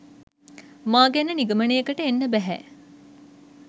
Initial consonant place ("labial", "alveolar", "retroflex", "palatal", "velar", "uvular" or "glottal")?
labial